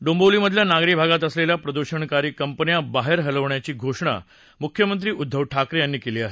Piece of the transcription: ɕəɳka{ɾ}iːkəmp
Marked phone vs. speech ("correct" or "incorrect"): correct